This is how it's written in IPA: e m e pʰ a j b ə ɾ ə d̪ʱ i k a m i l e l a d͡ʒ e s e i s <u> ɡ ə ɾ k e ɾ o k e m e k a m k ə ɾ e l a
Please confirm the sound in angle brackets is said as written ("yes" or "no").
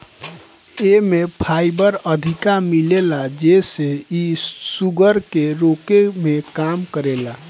yes